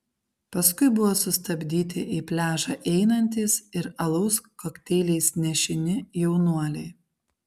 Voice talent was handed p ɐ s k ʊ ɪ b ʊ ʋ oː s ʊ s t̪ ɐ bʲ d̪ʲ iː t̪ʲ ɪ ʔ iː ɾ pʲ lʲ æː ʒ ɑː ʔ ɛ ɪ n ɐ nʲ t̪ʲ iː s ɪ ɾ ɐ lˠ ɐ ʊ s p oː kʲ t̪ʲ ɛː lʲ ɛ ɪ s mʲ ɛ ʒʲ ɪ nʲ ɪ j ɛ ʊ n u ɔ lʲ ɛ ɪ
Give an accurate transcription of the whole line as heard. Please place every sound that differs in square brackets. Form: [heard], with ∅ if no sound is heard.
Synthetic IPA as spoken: p ɐ s k ʊ ɪ b ʊ ʋ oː s ʊ s t̪ ɐ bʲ d̪ʲ iː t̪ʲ ɪ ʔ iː [∅] pʲ lʲ æː ʒ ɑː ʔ ɛ ɪ n ɐ nʲ t̪ʲ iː s ɪ ɾ ɐ lˠ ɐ ʊ s [k] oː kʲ t̪ʲ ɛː lʲ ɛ ɪ s [nʲ] ɛ [ʃʲ] ɪ nʲ ɪ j ɛ ʊ n u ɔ lʲ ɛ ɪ